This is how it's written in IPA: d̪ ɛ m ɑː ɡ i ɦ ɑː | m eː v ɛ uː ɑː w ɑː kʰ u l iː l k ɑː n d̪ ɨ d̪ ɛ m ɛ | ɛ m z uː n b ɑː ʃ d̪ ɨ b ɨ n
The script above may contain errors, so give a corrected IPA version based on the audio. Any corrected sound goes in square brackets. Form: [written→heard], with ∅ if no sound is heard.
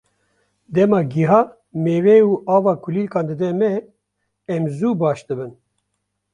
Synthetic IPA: d̪ ɛ m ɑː ɡ i ɦ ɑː | m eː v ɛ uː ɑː [w→v] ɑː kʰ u l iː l k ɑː n d̪ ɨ d̪ ɛ m ɛ | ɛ m z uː [n→∅] b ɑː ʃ d̪ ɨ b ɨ n